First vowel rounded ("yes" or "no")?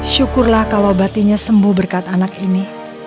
yes